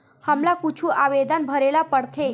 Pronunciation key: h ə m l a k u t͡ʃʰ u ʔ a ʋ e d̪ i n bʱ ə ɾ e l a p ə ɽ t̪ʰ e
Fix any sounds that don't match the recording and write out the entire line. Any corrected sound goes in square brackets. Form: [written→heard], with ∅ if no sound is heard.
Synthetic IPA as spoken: h ə m l a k u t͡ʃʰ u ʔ a ʋ e d̪ [i→a] n bʱ ə ɾ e l a p ə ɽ t̪ʰ e

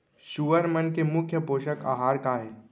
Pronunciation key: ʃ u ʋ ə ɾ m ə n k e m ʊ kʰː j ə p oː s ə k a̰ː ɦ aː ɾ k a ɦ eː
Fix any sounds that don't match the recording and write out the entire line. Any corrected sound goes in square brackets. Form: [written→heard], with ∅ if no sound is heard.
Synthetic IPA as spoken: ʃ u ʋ ə ɾ m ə n k e m ʊ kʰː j ə p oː [s→ʃ] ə k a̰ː ɦ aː ɾ k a ɦ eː

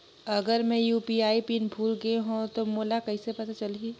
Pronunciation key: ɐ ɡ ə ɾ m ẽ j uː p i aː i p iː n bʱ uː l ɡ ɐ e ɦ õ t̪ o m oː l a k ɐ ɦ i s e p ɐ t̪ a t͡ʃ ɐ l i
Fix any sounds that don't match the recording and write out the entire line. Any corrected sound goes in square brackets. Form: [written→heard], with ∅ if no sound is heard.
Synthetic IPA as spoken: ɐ ɡ ə ɾ m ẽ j uː p i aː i p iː n bʱ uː l ɡ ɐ e ɦ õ t̪ o m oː l a k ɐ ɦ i s e p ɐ t̪ a t͡ʃ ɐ l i

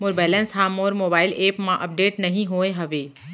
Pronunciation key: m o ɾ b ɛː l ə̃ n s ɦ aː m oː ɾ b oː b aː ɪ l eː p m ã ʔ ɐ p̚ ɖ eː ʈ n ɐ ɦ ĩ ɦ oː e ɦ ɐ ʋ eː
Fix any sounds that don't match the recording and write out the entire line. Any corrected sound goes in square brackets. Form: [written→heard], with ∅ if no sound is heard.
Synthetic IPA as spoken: m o ɾ b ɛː l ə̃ n s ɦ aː m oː ɾ [b→m] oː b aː ɪ l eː p m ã ʔ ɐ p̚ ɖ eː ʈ n ɐ ɦ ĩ ɦ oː e ɦ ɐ ʋ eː

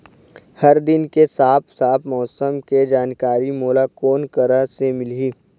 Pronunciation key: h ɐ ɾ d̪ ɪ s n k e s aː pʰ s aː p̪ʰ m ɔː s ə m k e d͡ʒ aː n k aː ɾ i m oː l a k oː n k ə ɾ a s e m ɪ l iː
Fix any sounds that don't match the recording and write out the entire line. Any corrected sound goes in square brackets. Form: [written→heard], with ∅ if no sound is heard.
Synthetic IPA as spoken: h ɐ ɾ d̪ ɪ [s→∅] n k e s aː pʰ s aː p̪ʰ m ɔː s ə m k e d͡ʒ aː n k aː ɾ i m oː l a k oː n k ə ɾ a s e m ɪ l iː

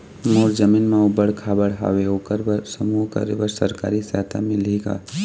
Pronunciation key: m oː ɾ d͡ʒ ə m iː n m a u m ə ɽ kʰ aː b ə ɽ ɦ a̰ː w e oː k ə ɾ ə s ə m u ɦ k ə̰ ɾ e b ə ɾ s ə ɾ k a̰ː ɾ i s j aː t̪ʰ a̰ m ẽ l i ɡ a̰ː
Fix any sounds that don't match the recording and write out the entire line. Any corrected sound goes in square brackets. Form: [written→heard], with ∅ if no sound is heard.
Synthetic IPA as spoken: m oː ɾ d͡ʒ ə m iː n m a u [m→b] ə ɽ kʰ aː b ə ɽ ɦ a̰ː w e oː k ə ɾ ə s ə m u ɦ k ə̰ ɾ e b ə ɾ s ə ɾ k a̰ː ɾ i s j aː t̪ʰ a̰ m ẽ l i ɡ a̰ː

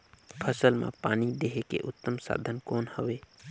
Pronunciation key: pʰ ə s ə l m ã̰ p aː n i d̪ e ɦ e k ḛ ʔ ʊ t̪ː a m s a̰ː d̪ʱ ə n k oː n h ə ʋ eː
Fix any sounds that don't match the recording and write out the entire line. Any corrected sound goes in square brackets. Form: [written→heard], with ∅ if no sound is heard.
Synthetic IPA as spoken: pʰ ə s ə l m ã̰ p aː n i d̪ e ɦ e k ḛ ʔ ʊ t̪ː [a→ə] m s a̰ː d̪ʱ ə n k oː n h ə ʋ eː

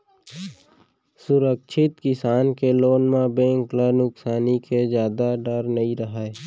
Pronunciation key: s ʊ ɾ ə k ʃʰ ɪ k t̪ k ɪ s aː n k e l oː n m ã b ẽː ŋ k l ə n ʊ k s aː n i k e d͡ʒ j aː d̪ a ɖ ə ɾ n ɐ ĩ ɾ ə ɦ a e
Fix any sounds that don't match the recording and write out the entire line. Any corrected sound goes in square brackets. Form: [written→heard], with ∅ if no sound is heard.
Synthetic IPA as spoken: s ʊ ɾ ə k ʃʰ ɪ [k→∅] t̪ k ɪ s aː n k e l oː n m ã b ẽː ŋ k l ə n ʊ k s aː n i k e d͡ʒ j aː d̪ a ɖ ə ɾ n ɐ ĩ ɾ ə ɦ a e

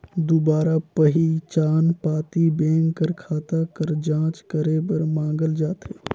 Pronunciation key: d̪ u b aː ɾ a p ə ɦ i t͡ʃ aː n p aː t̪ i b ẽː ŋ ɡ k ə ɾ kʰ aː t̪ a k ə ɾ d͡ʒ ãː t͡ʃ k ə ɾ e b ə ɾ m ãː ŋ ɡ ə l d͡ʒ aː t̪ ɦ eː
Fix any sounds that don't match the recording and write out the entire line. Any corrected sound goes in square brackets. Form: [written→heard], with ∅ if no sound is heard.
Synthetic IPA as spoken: d̪ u b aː ɾ a p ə ɦ i t͡ʃ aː n p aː t̪ i b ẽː ŋ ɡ k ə ɾ kʰ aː t̪ a k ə ɾ d͡ʒ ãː t͡ʃ k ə ɾ e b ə ɾ m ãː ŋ ɡ ə l d͡ʒ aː t̪ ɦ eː

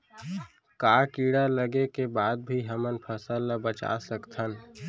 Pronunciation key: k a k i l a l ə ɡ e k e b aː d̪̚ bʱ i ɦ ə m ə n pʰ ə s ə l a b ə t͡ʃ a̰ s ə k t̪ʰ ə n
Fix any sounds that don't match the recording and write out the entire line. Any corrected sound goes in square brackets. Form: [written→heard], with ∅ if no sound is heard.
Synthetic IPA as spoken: k a k i [l→ɽ] a l ə ɡ e k e b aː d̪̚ bʱ i ɦ ə m ə n pʰ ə s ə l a b ə t͡ʃ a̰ s ə k t̪ʰ ə n

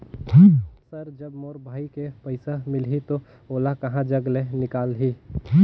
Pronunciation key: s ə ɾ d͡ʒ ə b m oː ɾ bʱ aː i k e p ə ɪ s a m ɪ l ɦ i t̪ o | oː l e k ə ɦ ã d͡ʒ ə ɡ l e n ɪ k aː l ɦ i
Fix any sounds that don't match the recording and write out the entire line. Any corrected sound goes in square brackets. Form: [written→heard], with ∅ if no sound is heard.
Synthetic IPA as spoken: s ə ɾ d͡ʒ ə b m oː ɾ bʱ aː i k e p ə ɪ s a m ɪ l ɦ i t̪ o | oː l [e→a] k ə ɦ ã d͡ʒ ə ɡ l e n ɪ k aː l ɦ i

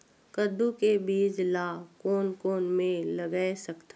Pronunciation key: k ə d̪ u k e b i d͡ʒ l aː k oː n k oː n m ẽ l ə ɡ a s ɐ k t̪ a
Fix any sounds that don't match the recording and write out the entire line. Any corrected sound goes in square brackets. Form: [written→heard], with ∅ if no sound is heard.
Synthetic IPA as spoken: k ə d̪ u k e b [i→iː] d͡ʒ l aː k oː n k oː n m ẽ l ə ɡ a s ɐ k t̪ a

